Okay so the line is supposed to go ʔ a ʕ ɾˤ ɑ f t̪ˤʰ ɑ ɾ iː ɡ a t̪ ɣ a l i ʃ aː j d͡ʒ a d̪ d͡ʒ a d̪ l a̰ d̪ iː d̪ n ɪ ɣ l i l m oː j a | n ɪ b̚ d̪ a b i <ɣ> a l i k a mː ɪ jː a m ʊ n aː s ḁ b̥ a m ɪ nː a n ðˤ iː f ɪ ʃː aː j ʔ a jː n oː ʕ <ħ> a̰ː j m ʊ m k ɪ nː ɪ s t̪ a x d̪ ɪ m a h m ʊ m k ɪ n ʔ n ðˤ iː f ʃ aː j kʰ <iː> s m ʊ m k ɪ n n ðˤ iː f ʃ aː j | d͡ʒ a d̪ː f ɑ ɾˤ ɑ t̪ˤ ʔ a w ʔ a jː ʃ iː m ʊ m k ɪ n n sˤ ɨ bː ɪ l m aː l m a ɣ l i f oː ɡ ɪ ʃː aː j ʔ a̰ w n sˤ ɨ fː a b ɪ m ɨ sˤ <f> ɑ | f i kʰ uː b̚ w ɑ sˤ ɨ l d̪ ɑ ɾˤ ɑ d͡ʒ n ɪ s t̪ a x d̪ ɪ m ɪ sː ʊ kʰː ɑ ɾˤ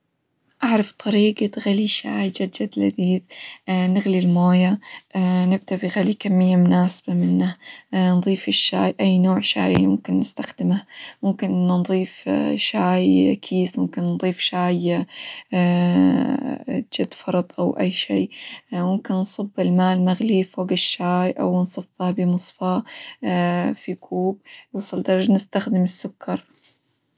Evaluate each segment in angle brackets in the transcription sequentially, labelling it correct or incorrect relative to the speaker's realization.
correct, incorrect: ʃ, correct, correct

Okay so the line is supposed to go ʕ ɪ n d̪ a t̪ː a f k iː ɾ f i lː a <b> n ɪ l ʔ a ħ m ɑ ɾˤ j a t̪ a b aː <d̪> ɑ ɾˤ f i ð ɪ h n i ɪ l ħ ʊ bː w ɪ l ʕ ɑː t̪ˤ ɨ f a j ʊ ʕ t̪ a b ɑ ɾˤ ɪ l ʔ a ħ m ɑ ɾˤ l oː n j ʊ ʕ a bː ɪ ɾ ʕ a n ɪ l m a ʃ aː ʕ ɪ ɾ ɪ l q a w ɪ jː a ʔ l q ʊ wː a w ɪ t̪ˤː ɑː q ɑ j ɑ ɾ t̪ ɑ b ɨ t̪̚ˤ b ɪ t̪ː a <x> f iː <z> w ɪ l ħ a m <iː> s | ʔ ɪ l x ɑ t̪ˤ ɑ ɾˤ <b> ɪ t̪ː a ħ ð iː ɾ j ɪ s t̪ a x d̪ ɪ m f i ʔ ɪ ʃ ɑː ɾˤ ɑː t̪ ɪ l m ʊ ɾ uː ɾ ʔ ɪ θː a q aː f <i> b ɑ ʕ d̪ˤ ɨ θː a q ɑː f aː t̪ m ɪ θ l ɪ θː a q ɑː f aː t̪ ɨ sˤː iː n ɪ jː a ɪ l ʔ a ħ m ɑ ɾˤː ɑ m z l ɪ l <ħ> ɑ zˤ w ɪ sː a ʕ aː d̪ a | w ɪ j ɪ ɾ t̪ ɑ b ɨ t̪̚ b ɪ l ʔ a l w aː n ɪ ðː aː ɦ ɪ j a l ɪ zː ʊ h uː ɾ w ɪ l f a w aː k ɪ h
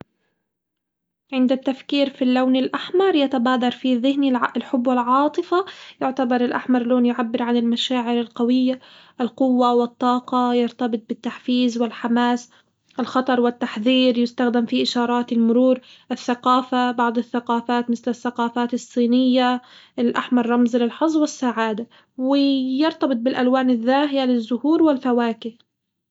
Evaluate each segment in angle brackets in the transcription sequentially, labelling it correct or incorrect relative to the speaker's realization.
incorrect: w, correct, incorrect: ħ, correct, incorrect: aː, incorrect: w, incorrect: a, correct

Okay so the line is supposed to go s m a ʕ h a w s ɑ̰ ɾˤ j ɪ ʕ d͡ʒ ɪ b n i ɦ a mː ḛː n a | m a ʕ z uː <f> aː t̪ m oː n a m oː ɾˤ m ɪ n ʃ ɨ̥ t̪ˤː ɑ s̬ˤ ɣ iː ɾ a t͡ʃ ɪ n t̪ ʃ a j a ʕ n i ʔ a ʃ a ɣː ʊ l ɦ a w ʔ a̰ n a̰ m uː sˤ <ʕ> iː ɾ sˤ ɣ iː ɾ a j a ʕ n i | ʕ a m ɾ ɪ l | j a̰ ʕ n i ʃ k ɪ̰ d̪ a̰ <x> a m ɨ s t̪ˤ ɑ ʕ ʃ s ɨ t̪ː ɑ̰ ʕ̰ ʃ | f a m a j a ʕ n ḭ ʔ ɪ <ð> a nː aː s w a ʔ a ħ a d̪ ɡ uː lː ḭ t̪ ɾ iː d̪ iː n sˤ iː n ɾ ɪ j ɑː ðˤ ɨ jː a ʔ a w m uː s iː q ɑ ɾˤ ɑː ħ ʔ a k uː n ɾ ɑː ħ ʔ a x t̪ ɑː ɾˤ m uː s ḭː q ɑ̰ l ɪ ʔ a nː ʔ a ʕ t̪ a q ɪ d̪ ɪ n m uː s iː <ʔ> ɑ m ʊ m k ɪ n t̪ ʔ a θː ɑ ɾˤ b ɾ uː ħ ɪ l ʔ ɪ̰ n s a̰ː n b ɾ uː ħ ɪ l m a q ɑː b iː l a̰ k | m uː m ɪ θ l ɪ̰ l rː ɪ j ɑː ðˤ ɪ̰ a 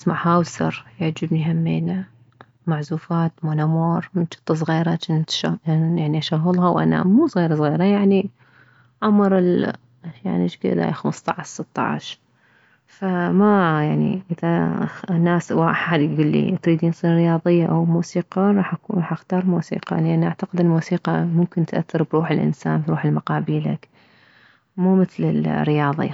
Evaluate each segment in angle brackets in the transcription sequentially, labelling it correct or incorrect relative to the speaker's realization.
correct, incorrect: ɣ, correct, correct, incorrect: q

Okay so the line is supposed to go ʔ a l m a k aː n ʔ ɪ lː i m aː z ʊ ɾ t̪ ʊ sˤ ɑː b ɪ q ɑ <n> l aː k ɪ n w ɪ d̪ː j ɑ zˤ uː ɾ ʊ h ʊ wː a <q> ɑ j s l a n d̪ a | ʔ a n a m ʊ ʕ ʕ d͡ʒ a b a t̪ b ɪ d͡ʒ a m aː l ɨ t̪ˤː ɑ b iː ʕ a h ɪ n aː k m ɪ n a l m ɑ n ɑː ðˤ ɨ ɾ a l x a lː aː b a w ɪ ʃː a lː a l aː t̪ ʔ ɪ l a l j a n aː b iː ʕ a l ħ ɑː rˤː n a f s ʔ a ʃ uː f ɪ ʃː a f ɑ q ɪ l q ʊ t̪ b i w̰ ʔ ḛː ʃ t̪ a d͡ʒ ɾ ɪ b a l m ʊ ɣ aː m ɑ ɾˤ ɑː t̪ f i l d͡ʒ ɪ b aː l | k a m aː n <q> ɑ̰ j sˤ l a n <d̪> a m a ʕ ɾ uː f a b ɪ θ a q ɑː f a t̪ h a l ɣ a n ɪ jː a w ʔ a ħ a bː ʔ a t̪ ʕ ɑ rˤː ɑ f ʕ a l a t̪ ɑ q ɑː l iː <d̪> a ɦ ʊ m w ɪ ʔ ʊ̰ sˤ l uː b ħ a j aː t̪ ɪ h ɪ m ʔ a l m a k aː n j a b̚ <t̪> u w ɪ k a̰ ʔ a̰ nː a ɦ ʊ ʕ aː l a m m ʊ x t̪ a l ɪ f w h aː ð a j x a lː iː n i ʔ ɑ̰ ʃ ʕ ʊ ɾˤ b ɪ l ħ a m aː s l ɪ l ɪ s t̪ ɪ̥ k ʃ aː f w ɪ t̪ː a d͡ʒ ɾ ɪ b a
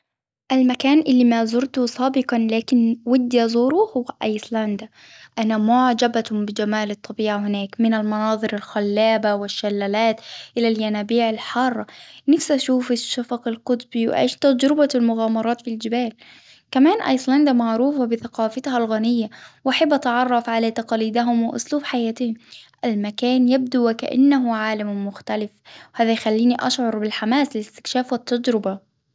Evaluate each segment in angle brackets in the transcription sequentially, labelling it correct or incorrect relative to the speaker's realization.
correct, incorrect: ʔ, incorrect: ʔ, correct, correct, incorrect: d̪

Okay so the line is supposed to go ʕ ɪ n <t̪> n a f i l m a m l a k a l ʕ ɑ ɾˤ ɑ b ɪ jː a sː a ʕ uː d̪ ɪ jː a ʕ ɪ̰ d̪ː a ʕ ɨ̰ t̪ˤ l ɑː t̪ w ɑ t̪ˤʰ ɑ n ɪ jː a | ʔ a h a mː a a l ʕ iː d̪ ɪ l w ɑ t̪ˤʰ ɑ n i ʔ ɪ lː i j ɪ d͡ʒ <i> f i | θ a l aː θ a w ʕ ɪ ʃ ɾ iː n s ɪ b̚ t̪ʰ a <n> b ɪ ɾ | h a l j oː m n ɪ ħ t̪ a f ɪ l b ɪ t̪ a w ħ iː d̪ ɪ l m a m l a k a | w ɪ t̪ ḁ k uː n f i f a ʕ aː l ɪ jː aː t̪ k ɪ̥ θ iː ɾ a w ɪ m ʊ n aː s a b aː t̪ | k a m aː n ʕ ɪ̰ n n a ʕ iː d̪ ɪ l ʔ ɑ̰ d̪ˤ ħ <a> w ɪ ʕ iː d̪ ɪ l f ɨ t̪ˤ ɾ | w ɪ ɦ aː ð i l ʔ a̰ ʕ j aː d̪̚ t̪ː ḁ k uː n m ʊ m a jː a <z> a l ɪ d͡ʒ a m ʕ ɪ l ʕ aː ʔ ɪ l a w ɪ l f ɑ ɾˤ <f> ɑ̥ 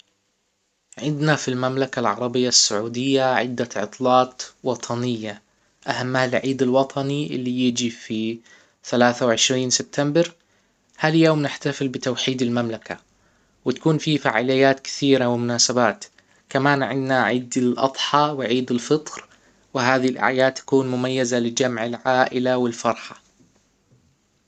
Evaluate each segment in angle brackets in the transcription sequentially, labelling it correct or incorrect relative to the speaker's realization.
incorrect: d̪, correct, incorrect: m, incorrect: ɑ, correct, incorrect: ħ

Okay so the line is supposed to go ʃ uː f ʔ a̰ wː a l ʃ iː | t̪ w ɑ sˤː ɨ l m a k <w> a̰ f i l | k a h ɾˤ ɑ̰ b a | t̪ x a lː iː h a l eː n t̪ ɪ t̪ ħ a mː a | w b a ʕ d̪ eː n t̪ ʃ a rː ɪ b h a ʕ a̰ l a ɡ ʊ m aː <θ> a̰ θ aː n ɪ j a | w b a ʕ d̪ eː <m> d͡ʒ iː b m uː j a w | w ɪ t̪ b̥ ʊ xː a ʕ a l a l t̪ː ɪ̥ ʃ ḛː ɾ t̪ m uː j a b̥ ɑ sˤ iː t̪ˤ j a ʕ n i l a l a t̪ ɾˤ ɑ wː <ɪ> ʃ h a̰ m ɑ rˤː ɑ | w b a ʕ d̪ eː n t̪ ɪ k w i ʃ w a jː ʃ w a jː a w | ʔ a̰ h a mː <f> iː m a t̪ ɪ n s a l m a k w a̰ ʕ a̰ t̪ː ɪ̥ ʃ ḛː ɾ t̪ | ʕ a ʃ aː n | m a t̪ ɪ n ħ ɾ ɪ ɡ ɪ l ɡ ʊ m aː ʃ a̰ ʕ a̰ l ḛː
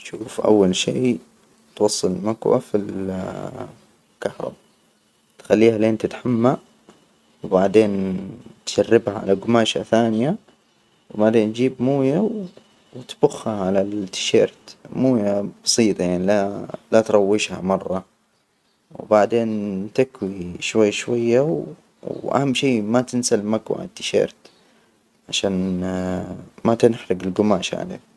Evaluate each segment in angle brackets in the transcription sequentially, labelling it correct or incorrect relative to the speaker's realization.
correct, incorrect: ʃ, incorrect: n, correct, incorrect: ʃ

